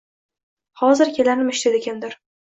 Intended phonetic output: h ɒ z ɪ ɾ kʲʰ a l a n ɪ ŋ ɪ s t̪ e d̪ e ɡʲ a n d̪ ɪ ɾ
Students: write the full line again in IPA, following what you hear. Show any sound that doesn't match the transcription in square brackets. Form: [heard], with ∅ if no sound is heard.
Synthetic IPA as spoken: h ɒ z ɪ ɾ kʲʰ [e] l a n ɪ [m] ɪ [ʃ] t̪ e d̪ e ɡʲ a n d̪ ɪ ɾ